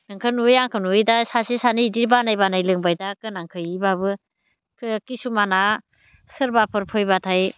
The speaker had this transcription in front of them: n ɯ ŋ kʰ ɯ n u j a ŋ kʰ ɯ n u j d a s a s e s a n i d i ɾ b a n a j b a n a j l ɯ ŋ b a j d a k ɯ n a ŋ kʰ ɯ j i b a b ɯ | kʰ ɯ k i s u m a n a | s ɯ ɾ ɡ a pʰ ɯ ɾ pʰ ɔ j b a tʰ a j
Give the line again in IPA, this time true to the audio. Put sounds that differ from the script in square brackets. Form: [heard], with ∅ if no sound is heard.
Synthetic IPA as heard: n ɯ ŋ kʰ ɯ n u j a ŋ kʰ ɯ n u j d a s a s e s a n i d i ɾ b a n a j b a n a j l ɯ ŋ b a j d a k ɯ n a ŋ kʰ ɯ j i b a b ɯ | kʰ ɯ k i s u m a n a | s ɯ ɾ [b] a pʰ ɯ ɾ pʰ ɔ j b a tʰ a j